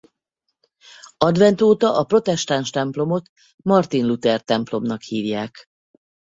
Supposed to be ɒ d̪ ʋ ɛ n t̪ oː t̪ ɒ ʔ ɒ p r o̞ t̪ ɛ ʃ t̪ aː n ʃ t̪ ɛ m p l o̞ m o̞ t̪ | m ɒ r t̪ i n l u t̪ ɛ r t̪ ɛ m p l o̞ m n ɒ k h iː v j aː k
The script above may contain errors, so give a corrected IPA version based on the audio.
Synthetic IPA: ɒ d̪ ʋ ɛ n t̪ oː t̪ ɒ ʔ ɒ p r o̞ t̪ ɛ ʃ t̪ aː n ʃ t̪ ɛ m p l o̞ m o̞ t̪ | m ɒ r t̪ i n l u t̪ ɛ r t̪ ɛ m p l o̞ m n ɒ k h iː v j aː k